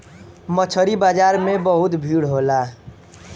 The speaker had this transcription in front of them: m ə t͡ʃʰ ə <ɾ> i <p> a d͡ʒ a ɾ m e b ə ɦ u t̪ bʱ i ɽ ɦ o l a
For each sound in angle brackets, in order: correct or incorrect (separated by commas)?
correct, incorrect